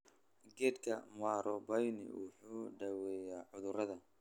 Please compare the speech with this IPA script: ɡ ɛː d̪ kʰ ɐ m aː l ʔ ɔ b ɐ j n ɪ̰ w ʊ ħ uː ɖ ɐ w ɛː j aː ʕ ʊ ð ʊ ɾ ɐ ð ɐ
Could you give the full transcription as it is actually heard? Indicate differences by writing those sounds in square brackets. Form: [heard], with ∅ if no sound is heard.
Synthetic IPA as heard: ɡ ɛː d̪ kʰ ɐ m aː [ɾ] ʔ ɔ b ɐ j n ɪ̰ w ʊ ħ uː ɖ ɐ w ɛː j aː ʕ ʊ ð ʊ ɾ ɐ ð ɐ

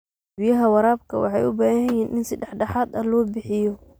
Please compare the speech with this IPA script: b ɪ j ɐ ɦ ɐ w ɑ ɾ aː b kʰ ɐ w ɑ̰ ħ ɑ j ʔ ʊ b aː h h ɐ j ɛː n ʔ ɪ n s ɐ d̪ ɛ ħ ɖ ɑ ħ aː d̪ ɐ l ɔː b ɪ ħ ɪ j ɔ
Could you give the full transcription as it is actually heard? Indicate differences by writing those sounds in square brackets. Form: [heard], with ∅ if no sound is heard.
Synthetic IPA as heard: b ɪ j ɐ ɦ ɐ w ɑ ɾ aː b kʰ ɐ w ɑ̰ ħ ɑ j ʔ ʊ b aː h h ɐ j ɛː n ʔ ɪ n s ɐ d̪ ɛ ħ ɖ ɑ ħ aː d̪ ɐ l ɔː b ɪ ħ ɪ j ɔ

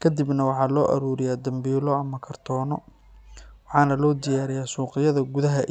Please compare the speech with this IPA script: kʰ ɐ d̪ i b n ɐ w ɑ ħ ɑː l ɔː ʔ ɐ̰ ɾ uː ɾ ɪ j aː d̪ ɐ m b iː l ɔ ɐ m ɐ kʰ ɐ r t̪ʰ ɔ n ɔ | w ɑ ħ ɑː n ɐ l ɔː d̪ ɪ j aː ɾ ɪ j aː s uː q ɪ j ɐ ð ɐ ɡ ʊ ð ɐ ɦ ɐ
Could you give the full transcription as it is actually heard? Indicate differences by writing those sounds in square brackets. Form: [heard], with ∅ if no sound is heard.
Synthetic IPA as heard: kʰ ɐ d̪ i b n ɐ w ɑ ħ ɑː l ɔː ʔ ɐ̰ ɾ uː ɾ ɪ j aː d̪ ɐ m b iː l ɔ ɐ m ɐ kʰ ɐ r t̪ʰ [ɔː] n ɔ | w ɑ ħ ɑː n ɐ l ɔː d̪ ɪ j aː ɾ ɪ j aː s uː q ɪ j ɐ ð ɐ ɡ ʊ ð ɐ ɦ ɐ

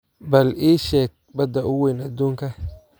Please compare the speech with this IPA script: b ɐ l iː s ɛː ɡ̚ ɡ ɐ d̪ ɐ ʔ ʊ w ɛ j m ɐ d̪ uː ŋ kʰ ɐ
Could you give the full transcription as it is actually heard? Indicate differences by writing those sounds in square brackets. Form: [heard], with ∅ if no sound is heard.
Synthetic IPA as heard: b ɐ l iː [ʃ] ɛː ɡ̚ [b] ɐ d̪ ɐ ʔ ʊ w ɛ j [n] ɐ d̪ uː ŋ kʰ ɐ

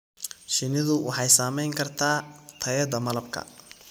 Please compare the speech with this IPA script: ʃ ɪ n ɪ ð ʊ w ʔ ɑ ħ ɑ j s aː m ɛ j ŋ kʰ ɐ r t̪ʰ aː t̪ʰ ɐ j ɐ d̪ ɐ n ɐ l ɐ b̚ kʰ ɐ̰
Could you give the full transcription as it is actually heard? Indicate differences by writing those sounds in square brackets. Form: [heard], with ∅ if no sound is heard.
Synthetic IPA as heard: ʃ ɪ n ɪ ð ʊ w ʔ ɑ ħ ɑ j s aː m ɛ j ŋ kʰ ɐ r t̪ʰ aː t̪ʰ ɐ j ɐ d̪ ɐ [m] ɐ l ɐ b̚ kʰ ɐ̰

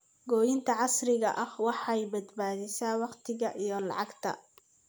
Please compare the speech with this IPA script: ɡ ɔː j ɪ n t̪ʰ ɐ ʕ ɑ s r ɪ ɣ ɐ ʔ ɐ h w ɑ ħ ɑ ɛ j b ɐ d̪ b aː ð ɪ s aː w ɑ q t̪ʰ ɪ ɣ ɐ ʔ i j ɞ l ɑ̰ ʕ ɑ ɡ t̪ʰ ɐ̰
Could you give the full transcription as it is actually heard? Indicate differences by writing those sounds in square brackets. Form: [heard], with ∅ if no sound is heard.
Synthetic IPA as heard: ɡ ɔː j ɪ n t̪ʰ ɐ ʕ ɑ s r ɪ ɣ ɐ ʔ ɐ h w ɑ ħ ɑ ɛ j b ɐ d̪ b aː ð ɪ s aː w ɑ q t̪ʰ ɪ ɣ ɐ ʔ i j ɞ l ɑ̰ ʕ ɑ ɡ t̪ʰ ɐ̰

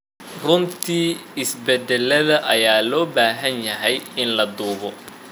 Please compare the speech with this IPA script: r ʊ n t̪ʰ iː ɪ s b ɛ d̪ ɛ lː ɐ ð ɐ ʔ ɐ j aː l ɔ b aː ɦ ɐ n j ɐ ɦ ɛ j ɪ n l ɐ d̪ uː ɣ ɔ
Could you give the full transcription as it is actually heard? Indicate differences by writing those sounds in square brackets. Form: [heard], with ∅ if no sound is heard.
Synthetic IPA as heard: r ʊ n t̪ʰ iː ɪ s b ɛ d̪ ɛ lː ɐ ð ɐ ʔ ɐ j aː l [ɔː] b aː ɦ ɐ n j ɐ ɦ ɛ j ɪ n l ɐ d̪ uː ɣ ɔ

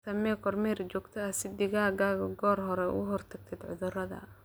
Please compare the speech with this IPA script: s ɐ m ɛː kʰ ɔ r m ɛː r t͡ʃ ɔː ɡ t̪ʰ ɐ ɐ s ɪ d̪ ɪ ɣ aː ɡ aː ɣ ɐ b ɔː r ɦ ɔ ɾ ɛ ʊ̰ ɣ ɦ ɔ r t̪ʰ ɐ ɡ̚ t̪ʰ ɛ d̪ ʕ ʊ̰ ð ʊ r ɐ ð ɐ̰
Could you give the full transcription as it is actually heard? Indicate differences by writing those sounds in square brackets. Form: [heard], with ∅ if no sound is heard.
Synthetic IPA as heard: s ɐ m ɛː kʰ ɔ r m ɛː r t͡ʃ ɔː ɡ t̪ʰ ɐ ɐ s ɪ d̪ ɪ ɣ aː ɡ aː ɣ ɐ [ɡ] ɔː r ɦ ɔ ɾ ɛ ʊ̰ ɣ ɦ ɔ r t̪ʰ ɐ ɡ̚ t̪ʰ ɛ d̪ ʕ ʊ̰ ð ʊ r ɐ ð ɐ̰

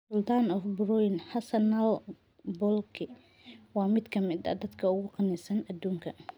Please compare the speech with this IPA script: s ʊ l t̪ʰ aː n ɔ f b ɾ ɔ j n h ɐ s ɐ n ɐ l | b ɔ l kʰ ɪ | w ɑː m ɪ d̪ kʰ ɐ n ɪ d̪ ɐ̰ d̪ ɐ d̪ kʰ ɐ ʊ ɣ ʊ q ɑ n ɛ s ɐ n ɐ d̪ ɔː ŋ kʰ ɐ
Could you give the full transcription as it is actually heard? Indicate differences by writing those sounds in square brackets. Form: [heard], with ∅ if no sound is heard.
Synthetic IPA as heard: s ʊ l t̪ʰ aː n ɔ f b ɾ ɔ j n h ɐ s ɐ n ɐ l | b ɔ l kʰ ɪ | w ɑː m ɪ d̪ kʰ ɐ [m] ɪ d̪ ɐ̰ d̪ ɐ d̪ kʰ ɐ ʊ ɣ ʊ q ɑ n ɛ s ɐ n ɐ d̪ [uː] ŋ kʰ ɐ

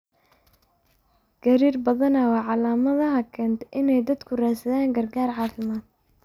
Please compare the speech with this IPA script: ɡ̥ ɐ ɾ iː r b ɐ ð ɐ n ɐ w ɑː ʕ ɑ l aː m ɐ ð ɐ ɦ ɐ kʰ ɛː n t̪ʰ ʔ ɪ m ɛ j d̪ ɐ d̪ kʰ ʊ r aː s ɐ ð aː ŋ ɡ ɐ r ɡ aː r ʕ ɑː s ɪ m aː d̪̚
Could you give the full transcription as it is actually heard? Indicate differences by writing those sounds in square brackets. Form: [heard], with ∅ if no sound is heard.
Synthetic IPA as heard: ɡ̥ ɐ ɾ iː r b ɐ ð ɐ n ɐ w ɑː ʕ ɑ l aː m ɐ ð ɐ ɦ ɐ kʰ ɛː n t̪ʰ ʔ ɪ [n] ɛ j d̪ ɐ d̪ kʰ ʊ r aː s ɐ ð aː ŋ ɡ ɐ r ɡ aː r ʕ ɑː [f] ɪ m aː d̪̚

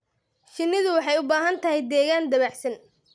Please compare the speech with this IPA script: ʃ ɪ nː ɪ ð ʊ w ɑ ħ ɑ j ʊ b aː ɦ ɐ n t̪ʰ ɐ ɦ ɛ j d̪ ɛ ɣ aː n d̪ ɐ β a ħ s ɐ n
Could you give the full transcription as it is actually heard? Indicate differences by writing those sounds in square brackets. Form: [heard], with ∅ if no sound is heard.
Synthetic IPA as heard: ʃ ɪ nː ɪ ð ʊ w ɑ ħ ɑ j ʊ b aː ɦ ɐ n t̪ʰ ɐ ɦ ɛ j d̪ [ɛː] ɣ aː n d̪ ɐ β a ħ s ɐ n

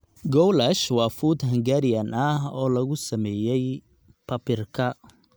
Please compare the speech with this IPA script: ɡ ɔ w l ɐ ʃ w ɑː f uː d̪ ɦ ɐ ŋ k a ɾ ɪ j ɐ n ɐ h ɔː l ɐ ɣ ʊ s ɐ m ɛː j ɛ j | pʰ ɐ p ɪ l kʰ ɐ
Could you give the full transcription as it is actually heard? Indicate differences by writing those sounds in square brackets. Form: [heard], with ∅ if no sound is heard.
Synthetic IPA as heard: ɡ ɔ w l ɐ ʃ w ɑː f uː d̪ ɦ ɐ ŋ [ɡ] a ɾ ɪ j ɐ n ɐ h ɔː l ɐ ɣ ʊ s ɐ m ɛː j ɛ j | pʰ ɐ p ɪ [r] kʰ ɐ

